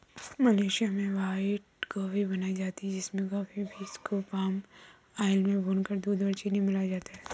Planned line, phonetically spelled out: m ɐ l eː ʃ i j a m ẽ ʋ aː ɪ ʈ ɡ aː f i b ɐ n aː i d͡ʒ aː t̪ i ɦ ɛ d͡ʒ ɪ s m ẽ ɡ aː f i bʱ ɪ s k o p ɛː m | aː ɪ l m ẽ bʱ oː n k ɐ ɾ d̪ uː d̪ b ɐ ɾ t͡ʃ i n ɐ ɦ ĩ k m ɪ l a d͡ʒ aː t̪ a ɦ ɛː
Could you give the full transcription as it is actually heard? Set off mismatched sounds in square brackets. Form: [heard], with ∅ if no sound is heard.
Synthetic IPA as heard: m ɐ l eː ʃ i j a m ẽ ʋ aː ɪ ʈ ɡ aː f i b ɐ n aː i d͡ʒ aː t̪ i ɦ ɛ d͡ʒ ɪ s m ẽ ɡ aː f i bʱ [i] s k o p [aː] m | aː ɪ l m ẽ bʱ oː n k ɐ ɾ d̪ uː d̪ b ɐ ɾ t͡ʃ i n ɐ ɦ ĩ [∅] m ɪ l a d͡ʒ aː t̪ a ɦ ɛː

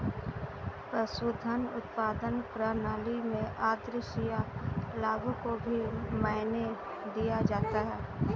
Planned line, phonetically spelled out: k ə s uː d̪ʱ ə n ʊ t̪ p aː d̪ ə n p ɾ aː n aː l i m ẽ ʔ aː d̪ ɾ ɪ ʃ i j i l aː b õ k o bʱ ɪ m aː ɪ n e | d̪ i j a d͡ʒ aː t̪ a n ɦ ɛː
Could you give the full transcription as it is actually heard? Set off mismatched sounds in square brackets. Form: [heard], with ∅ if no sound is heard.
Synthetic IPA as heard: [p] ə s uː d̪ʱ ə n ʊ t̪ p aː d̪ ə n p ɾ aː n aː l i m ẽ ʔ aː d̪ ɾ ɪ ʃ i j [a] l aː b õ k o bʱ [i] m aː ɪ n e | d̪ i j a d͡ʒ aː t̪ a [∅] ɦ ɛː

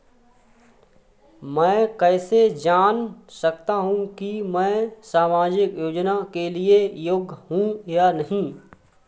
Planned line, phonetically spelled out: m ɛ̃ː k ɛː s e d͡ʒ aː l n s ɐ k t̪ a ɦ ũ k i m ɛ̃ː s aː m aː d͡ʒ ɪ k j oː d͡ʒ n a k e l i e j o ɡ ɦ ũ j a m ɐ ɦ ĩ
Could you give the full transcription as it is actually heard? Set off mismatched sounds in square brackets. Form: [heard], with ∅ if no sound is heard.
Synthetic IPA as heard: m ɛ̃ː k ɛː s e d͡ʒ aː [∅] n s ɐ k t̪ a ɦ ũ k i m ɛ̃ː s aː m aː d͡ʒ ɪ k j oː d͡ʒ n a k e l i e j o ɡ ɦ ũ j a [n] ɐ ɦ ĩ

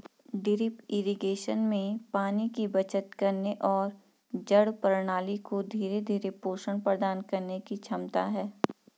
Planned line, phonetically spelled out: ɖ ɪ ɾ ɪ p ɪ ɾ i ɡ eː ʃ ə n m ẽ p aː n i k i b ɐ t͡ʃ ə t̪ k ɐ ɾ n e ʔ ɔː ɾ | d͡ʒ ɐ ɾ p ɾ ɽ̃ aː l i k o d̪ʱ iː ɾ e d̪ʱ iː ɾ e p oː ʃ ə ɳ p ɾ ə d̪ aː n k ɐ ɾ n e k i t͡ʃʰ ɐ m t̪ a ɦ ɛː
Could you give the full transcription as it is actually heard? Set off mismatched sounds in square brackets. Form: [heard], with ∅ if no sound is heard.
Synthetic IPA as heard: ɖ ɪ ɾ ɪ p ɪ ɾ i ɡ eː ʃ ə n m ẽ p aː n i k i b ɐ t͡ʃ ə t̪ k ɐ ɾ n e ʔ ɔː ɾ | d͡ʒ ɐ [ɽ] p ɾ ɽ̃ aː l i k o d̪ʱ iː ɾ e d̪ʱ iː ɾ e p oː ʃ ə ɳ p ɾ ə d̪ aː n k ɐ ɾ n e k i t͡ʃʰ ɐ m t̪ a ɦ ɛː

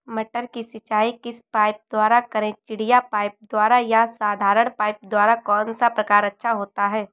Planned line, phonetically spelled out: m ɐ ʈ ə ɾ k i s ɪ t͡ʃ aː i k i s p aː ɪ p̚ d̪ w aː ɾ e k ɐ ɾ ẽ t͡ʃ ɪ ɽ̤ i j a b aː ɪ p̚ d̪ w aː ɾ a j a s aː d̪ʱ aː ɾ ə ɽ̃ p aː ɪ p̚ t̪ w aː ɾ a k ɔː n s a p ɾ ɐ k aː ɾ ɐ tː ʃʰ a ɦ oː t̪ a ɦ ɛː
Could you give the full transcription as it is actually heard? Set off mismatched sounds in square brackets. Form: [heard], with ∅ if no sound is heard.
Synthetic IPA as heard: m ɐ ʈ ə ɾ k i s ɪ t͡ʃ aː i k [ɪ] s p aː ɪ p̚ d̪ w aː ɾ [a] k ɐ ɾ ẽ t͡ʃ ɪ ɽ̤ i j a [p] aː ɪ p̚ d̪ w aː ɾ a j a s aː d̪ʱ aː ɾ ə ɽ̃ p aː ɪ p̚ [d̪] w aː ɾ a k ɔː n s a p ɾ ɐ k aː ɾ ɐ tː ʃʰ a ɦ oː t̪ a ɦ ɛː

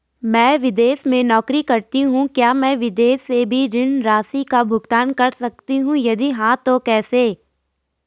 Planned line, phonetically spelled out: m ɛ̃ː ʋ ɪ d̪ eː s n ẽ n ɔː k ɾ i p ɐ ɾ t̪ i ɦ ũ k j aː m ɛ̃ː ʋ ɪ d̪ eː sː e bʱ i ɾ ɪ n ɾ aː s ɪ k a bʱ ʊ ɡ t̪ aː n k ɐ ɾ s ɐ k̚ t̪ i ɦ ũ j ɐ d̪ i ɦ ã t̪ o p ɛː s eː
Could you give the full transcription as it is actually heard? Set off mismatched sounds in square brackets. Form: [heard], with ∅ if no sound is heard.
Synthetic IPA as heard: m ɛ̃ː ʋ ɪ d̪ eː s [m] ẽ n ɔː k ɾ i [k] ɐ ɾ t̪ i ɦ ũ k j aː m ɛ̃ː ʋ ɪ d̪ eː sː e bʱ i ɾ ɪ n ɾ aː s [i] k a bʱ ʊ ɡ t̪ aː n k ɐ ɾ s ɐ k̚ t̪ i ɦ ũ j ɐ d̪ i ɦ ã t̪ o [k] ɛː s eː

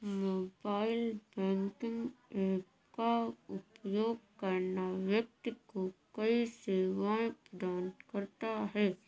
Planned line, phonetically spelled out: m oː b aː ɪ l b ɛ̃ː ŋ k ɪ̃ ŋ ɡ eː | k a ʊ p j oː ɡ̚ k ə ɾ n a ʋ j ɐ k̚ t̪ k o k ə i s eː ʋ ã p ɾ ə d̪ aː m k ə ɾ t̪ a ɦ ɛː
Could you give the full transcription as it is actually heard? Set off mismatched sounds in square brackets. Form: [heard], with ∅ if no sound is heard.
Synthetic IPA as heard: m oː b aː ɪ l b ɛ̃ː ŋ k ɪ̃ ŋ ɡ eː | k a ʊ p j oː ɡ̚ k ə ɾ n a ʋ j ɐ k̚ t̪ k o k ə i s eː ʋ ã p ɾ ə d̪ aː [n] k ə ɾ t̪ a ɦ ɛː

